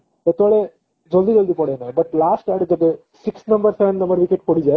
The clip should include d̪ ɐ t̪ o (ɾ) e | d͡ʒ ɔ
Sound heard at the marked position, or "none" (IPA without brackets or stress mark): ɭ